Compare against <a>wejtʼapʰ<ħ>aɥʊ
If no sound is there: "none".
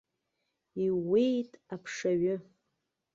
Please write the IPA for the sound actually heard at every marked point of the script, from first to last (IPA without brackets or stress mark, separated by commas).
i, ʂ